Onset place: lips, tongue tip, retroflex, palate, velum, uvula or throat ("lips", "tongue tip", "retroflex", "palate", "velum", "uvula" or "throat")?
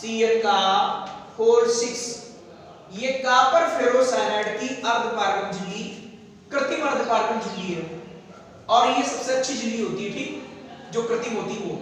tongue tip